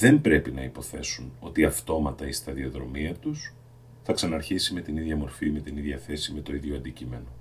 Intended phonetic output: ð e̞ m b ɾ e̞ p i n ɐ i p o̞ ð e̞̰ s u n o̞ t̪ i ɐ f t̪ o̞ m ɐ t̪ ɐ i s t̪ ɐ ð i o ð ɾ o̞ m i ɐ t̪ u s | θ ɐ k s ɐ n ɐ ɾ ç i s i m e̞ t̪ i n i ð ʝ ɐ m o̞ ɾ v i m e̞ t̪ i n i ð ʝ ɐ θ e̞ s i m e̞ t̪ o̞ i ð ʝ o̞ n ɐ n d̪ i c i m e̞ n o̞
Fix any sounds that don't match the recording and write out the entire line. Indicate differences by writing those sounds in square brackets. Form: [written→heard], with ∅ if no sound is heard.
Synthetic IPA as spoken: ð e̞ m b ɾ e̞ p i n ɐ i p o̞ [ð→θ] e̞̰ s u n o̞ t̪ i ɐ f t̪ o̞ m ɐ t̪ ɐ i s t̪ ɐ ð i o ð ɾ o̞ m i ɐ t̪ u s | θ ɐ k s ɐ n ɐ ɾ ç i s i m e̞ t̪ i n i ð ʝ ɐ m o̞ ɾ [v→f] i m e̞ t̪ i n i ð ʝ ɐ θ e̞ s i m e̞ t̪ o̞ i ð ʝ o̞ [n→∅] ɐ n d̪ i c i m e̞ n o̞